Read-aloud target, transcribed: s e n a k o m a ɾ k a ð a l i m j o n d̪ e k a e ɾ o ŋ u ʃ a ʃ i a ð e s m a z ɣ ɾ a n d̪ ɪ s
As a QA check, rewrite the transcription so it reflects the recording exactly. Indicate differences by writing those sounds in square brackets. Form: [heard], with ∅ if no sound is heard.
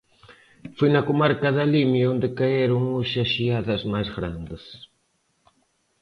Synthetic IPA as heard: [f] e n a k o m a ɾ k a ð a l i m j o n d̪ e k a e ɾ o ŋ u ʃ a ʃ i a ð [a] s m a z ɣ ɾ a n d̪ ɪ s